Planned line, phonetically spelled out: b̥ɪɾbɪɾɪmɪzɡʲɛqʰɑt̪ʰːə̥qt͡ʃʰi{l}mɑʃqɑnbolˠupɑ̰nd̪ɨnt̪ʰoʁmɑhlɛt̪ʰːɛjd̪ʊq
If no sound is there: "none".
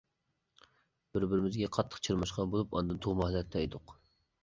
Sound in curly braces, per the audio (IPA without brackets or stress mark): ɾ